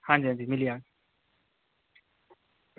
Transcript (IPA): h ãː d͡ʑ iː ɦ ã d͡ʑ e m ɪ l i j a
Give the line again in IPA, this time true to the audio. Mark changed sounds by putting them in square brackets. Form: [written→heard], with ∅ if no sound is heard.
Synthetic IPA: h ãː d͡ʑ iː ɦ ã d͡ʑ [e→i] m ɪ l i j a